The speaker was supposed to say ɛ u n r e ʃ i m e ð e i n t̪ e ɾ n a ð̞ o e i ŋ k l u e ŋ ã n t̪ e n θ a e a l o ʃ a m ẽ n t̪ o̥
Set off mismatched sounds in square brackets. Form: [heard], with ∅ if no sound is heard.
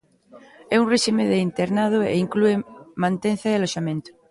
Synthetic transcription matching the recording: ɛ u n r e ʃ i m e ð e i n t̪ e ɾ n a ð̞ o e i ŋ k l u e [m] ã n t̪ e n θ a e a l o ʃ a m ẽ n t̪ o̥

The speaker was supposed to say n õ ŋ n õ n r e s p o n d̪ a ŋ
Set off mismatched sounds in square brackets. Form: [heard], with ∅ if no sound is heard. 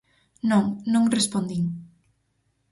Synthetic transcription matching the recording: n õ ŋ n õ [ŋ] r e s p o n d̪ [i] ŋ

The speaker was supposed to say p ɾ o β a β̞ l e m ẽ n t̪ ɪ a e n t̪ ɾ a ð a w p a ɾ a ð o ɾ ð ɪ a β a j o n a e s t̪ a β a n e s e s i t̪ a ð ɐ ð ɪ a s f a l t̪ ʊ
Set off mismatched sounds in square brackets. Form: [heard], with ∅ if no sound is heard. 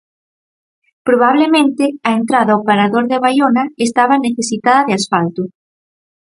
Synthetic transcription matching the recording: p ɾ o β a β̞ l e m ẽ n t̪ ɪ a e n t̪ ɾ a ð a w p a ɾ a ð o ɾ ð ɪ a β a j o n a e s t̪ a β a n e [θ] e s i t̪ a ð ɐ ð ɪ a s f a l t̪ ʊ

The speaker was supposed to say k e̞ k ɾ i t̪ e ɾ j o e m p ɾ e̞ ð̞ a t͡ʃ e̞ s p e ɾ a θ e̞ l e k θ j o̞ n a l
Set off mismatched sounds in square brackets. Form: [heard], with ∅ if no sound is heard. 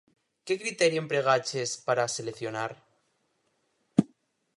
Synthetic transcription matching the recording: k e̞ k ɾ i t̪ e ɾ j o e m p ɾ e̞ [ɣ̞] a t͡ʃ e̞ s p [a] ɾ a [s] e̞ l e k θ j o̞ n a [ɾ]

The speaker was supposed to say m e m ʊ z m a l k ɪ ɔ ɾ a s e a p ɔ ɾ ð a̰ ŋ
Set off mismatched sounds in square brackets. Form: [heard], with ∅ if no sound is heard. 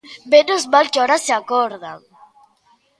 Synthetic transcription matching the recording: [b] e [n] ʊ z m a l k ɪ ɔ ɾ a s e a [k] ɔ ɾ ð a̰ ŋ

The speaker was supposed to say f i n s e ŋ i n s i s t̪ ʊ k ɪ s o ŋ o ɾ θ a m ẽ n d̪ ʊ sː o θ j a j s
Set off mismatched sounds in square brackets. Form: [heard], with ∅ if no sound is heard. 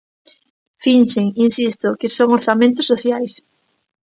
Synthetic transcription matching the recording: f i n [ʃ] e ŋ i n s i s t̪ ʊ k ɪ s o ŋ o ɾ θ a m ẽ n [t̪] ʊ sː o θ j a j s

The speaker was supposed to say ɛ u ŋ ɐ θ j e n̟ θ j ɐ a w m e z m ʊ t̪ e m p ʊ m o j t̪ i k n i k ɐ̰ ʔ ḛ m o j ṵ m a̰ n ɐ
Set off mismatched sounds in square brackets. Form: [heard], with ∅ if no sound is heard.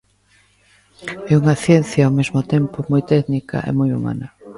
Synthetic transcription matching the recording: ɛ u ŋ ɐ θ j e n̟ θ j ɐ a w m e z m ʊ t̪ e m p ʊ m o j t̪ [ɛ] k n i k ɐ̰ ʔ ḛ m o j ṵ m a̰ n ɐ

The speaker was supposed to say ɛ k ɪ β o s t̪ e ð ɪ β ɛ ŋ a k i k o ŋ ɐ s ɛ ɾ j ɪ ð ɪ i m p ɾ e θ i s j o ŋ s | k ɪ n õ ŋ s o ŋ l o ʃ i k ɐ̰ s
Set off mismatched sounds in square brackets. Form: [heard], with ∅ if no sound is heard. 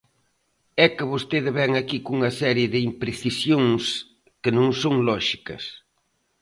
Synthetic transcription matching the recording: ɛ k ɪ β o s t̪ e ð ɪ β ɛ ŋ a k i k [u] ŋ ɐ s ɛ ɾ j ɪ ð ɪ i m p ɾ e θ i s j o ŋ s | k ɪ n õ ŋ s o ŋ l [ɔ] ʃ i k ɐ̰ s

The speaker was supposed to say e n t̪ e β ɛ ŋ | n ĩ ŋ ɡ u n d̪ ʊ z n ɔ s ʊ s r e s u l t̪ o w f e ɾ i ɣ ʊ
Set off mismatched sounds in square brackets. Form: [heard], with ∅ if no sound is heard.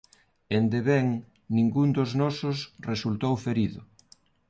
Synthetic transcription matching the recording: e n [d̪] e β ɛ ŋ | n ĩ ŋ ɡ u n d̪ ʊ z n ɔ s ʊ s r e s u l t̪ o w f e ɾ i [ð] ʊ

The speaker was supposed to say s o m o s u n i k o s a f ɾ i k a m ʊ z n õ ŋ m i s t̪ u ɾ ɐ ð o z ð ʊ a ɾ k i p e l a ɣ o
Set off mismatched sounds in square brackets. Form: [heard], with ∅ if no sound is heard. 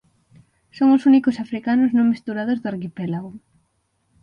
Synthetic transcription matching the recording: s o [ŋ] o s u n i k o s a f ɾ i k a [n] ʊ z n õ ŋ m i s t̪ u ɾ [a] ð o z ð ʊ a ɾ k i p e l a ɣ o

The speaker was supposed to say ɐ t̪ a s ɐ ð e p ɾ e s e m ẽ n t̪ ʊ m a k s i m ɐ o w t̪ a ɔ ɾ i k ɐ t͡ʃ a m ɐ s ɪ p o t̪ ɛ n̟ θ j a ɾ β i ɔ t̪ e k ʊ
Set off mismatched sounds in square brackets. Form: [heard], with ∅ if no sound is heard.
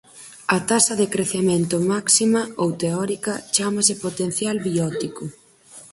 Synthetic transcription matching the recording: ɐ t̪ a s ɐ ð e [k] ɾ e [θ] e m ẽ n t̪ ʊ m a k s i m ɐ o w t̪ [e] ɔ ɾ i k ɐ t͡ʃ a m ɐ s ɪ p o t̪ [e] n̟ θ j a [l] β i ɔ t̪ [i] k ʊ

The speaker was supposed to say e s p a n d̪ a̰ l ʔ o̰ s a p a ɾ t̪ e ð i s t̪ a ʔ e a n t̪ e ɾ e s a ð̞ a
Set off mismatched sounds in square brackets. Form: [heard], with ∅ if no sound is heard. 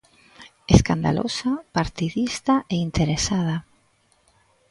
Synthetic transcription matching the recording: e s [k] a n d̪ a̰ l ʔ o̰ s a p a ɾ t̪ [i] ð i s t̪ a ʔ e [i] n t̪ e ɾ e s a ð̞ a

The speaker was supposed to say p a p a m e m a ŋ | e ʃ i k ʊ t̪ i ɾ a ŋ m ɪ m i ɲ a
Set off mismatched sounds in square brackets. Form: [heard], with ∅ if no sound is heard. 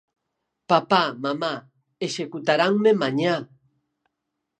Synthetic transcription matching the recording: p a p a m [a] m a [∅] | e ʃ [e] k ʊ t̪ [a] ɾ a ŋ m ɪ m [a] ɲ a

